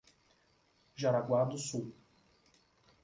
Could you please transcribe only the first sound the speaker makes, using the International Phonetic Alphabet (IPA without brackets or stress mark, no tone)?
ʒ